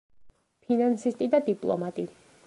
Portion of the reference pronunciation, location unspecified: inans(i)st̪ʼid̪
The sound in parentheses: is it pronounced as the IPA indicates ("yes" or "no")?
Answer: yes